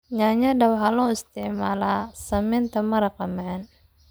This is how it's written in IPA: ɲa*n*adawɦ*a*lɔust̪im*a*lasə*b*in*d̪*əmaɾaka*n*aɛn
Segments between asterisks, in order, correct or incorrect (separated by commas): incorrect, correct, correct, incorrect, incorrect, incorrect